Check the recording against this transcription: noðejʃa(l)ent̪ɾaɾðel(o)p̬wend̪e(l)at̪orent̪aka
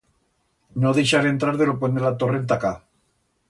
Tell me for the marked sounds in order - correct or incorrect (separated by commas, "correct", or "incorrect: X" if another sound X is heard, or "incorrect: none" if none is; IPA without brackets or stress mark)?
incorrect: ɾ, correct, correct